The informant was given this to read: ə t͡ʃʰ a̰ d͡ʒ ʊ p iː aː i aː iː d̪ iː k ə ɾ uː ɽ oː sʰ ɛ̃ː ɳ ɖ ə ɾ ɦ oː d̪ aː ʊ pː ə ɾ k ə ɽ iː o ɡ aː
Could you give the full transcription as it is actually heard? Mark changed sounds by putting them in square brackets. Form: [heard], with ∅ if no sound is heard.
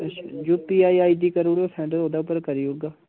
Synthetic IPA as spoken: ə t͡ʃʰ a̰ d͡ʒ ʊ p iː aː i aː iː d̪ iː k ə ɾ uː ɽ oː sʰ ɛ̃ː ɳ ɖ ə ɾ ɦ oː d̪ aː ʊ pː ə ɾ k ə [ɾ] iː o ɡ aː